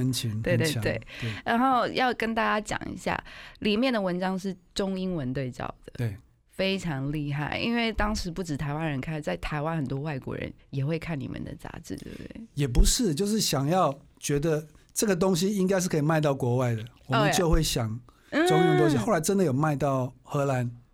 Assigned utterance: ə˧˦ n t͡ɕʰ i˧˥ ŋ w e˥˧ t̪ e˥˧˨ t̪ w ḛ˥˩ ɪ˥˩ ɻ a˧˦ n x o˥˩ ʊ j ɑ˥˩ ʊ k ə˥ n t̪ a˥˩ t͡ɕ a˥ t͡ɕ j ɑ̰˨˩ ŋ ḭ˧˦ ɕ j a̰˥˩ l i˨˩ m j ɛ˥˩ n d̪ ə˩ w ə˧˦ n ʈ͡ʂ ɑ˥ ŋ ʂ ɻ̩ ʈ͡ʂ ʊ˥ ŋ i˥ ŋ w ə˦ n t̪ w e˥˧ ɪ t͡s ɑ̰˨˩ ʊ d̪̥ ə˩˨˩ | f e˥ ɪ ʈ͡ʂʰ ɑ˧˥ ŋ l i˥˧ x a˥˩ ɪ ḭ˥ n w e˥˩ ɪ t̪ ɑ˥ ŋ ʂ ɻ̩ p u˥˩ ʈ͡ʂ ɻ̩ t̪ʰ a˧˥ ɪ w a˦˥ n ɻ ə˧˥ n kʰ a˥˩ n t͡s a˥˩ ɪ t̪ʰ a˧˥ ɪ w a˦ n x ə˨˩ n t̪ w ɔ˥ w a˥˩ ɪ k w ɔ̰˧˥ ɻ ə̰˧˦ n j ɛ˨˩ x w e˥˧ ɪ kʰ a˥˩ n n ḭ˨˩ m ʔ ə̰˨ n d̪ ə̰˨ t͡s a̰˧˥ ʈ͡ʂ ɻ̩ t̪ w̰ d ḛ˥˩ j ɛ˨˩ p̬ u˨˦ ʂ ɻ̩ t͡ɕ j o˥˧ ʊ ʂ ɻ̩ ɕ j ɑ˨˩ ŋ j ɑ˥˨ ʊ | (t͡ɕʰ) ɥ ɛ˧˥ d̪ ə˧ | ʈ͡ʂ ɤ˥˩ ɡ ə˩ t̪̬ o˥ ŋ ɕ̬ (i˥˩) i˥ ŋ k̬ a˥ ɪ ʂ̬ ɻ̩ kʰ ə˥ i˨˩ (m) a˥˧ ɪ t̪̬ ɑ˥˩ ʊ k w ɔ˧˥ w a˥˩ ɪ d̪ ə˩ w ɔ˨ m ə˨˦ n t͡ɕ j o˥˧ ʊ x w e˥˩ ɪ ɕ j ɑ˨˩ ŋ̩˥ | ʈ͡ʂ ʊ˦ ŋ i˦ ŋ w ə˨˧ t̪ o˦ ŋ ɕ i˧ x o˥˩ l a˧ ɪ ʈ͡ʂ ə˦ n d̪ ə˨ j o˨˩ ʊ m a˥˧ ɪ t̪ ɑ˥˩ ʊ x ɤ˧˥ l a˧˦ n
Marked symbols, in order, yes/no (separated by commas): no, no, yes